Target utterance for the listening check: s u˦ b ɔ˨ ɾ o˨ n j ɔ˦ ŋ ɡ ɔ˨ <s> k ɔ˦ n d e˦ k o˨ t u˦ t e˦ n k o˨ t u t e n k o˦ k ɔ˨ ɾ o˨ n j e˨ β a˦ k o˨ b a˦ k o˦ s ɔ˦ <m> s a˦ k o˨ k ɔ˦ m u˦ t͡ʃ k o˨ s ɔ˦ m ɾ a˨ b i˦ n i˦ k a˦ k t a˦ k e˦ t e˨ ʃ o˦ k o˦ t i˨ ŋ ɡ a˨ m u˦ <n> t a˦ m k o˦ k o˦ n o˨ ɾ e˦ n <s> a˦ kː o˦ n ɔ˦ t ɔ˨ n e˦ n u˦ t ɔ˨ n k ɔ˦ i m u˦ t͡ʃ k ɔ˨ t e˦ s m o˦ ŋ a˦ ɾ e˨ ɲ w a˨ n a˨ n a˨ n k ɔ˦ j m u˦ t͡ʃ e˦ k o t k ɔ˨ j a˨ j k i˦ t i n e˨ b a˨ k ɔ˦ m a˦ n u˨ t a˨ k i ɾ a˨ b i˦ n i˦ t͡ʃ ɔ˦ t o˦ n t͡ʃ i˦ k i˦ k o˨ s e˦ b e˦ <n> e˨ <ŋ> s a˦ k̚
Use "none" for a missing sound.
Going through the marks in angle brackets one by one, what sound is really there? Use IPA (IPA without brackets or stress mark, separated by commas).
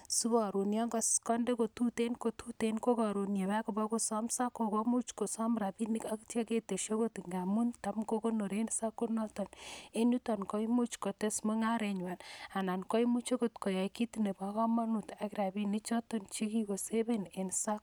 s, m, n, s, n, n